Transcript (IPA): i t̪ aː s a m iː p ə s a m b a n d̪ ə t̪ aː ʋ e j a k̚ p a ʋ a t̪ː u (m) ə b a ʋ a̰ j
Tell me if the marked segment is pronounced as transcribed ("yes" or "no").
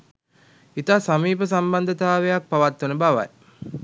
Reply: no